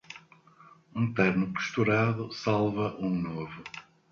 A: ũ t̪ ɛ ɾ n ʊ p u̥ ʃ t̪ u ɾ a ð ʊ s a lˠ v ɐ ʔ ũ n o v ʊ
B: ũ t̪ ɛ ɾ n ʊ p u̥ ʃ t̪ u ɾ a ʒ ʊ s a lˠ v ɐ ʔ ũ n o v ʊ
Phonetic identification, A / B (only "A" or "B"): A